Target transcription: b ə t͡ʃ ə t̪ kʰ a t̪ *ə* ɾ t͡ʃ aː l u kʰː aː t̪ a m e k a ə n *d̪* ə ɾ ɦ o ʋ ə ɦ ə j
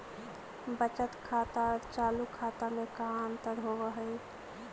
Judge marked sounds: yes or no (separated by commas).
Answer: no, no